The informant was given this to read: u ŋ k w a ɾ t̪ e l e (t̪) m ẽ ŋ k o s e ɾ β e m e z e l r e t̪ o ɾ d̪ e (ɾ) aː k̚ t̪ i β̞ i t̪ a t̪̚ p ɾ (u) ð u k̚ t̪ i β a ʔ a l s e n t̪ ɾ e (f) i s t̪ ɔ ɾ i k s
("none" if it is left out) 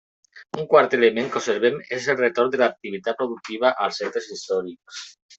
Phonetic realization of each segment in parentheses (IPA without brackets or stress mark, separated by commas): none, l, o, s